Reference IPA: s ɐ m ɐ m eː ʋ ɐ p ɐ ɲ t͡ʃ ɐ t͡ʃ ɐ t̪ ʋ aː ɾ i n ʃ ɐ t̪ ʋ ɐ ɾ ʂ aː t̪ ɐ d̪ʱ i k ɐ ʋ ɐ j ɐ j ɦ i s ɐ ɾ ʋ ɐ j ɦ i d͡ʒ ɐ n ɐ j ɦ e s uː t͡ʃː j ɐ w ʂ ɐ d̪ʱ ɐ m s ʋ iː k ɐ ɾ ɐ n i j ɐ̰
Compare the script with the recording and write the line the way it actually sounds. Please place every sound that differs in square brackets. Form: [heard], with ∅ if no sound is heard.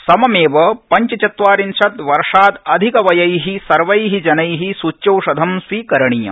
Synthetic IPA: s ɐ m ɐ m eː ʋ ɐ p ɐ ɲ t͡ʃ ɐ t͡ʃ ɐ t̪ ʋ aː ɾ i n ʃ ɐ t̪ ʋ ɐ ɾ ʂ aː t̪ ɐ d̪ʱ i k ɐ ʋ ɐ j ɐ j ɦ i s ɐ ɾ ʋ ɐ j ɦ i d͡ʒ ɐ n ɐ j ɦ [i] s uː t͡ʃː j ɐ w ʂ ɐ d̪ʱ ɐ m s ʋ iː k ɐ ɾ ɐ [ɳ] i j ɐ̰